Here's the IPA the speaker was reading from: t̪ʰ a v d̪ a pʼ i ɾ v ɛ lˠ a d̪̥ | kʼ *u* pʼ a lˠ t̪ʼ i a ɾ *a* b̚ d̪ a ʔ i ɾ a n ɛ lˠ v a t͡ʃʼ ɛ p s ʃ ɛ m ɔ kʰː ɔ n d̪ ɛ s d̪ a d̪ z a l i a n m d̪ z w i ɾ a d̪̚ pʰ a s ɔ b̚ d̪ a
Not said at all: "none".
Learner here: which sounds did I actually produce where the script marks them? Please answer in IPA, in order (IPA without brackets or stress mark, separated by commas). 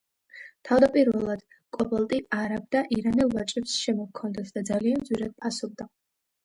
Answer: ɔ, a